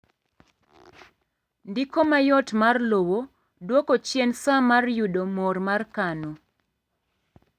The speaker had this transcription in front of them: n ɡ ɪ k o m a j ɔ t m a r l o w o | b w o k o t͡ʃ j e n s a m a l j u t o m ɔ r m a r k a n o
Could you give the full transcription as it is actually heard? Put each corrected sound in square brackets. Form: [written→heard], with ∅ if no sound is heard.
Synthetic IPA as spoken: n [ɡ→d] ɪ k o m a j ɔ t m a r l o w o | [b→d] w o k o t͡ʃ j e n s a m a [l→r] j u [t→d] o m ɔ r m a r k a n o